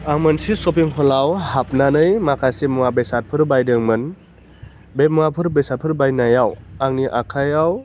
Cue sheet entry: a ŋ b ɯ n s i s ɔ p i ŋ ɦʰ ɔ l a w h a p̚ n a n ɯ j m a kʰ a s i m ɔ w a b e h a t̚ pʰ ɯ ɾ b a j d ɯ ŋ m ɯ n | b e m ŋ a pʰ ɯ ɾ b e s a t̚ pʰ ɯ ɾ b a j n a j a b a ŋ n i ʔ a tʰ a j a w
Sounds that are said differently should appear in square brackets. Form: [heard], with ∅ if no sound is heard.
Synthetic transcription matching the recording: a ŋ [m] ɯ n s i s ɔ p i ŋ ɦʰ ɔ l a w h a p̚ n a n ɯ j m a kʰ a s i m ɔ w a b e [s] a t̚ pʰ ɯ ɾ b a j d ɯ ŋ m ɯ n | b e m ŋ a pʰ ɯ ɾ b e s a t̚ pʰ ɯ ɾ b a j n a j a [w] a ŋ n i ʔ a [kʰ] a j a w